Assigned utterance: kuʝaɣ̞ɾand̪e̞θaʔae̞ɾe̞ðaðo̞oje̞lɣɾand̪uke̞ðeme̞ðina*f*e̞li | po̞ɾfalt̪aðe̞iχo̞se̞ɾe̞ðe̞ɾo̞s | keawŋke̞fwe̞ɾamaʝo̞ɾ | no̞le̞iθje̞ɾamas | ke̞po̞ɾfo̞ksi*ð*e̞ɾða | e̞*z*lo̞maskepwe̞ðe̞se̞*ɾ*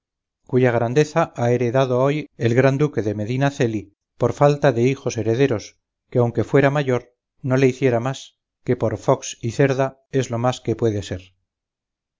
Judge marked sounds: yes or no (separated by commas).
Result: no, no, yes, yes